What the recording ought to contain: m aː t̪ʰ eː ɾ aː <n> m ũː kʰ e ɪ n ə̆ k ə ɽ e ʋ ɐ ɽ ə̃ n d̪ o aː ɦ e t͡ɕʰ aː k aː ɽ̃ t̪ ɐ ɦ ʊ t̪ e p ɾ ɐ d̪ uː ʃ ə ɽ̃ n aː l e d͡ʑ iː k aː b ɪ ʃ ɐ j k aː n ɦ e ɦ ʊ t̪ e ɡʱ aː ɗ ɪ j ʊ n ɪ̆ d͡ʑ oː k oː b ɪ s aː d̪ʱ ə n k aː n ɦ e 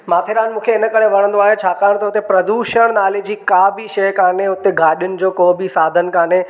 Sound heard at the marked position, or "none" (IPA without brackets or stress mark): n